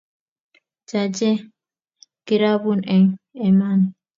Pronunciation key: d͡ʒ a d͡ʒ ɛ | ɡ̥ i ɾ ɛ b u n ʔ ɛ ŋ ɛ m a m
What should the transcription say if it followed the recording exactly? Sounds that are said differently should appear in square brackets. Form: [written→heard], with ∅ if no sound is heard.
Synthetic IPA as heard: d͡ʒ a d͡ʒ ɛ | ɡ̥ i ɾ [ɛ→a] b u n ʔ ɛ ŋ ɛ m a [m→n]